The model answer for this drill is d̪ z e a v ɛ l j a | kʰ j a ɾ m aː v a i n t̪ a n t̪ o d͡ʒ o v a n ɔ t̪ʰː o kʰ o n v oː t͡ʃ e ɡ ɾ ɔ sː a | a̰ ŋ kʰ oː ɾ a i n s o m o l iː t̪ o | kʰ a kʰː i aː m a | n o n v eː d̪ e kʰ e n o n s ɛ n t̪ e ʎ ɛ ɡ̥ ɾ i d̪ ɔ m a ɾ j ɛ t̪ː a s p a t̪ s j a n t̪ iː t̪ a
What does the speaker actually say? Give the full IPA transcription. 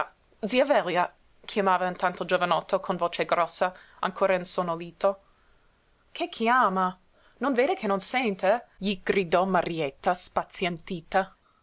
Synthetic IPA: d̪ z i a v ɛ l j a | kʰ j a m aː v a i n t̪ a n t̪ o d͡ʒ o v a n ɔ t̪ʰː o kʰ o n v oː t͡ʃ e ɡ ɾ ɔ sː a | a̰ ŋ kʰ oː ɾ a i n s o n o l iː t̪ o | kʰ e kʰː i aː m a | n o n v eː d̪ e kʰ e n o n s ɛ n t̪ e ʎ i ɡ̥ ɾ i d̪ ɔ m a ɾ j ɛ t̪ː a s p a t̪ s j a n t̪ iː t̪ a

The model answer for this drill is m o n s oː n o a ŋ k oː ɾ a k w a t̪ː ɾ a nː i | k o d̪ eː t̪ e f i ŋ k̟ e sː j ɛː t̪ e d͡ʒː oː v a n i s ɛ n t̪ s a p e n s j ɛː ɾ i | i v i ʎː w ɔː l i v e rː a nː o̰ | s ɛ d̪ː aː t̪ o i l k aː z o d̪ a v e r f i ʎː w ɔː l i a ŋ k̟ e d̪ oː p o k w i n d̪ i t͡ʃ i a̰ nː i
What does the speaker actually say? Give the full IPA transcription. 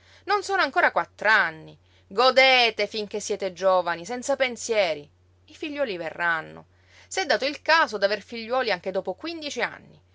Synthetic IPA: n o n s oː n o a ŋ k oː ɾ a k w a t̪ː ɾ a nː i | ɡ o d̪ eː t̪ e f i ŋ k̟ e sː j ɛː t̪ e d͡ʒ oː v a n i s ɛ n t̪ s a p e n s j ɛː ɾ i | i f i ʎː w ɔː l i v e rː a nː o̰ | s ɛ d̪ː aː t̪ o i l k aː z o d̪ a v e r f i ʎː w ɔː l i a ŋ k̟ e d̪ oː p o k w i n d̪ i t͡ʃ i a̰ nː i

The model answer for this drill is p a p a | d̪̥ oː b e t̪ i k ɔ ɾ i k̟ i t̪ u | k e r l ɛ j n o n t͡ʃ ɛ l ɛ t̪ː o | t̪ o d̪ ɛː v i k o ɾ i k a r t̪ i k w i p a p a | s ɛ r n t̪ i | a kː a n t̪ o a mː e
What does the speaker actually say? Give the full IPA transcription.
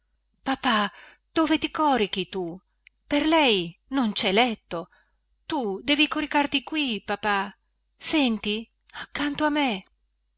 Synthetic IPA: p a p a | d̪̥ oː v e t̪ i k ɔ ɾ i k̟ i t̪ u | p e r l ɛ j n o n t͡ʃ ɛ l ɛ t̪ː o | t̪ u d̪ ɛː v i k o ɾ i k a r t̪ i k w i p a p a | s ɛ n t̪ i | a kː a n t̪ o a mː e

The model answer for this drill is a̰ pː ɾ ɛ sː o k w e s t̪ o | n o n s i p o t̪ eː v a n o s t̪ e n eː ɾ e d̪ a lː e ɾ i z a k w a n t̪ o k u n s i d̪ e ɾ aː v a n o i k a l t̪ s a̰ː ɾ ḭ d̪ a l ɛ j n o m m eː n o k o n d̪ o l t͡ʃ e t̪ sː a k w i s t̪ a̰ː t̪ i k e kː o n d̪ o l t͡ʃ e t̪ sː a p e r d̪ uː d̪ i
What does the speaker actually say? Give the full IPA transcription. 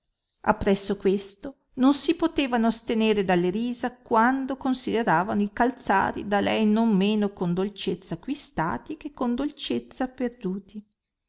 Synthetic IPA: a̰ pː ɾ ɛ sː o k w e s t̪ o | n o n s i p o t̪ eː v a n o s t̪ e n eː ɾ e d̪ a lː e ɾ iː z a k w a n d̪ o k o n s i d̪ e ɾ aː v a n o i k a l t̪ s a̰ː ɾ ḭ d̪ a l ɛ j n o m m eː n o k o n d̪ o l t͡ʃ e t̪ sː a k w i s t̪ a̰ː t̪ i k e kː o n d̪ o l t͡ʃ e t̪ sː a p e r d̪ uː t̪ i

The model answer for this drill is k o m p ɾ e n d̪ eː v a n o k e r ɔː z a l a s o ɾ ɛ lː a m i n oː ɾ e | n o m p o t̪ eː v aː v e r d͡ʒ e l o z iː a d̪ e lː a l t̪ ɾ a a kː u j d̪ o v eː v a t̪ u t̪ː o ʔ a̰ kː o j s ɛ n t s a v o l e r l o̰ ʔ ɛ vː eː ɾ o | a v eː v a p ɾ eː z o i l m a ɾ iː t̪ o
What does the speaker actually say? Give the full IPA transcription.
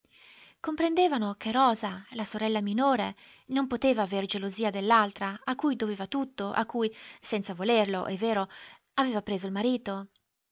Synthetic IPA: k o m p ɾ e n d̪ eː v a n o k e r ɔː z a l a s o ɾ ɛ lː a m i n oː ɾ e | n o m p o t̪ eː v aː v e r d͡ʒ e l o z iː a d̪ e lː a l t̪ ɾ a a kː u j d̪ o v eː v a t̪ u t̪ː o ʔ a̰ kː u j s ɛ n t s a v o l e r l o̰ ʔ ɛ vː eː ɾ o | a v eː v a p ɾ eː z o i l m a ɾ iː t̪ o

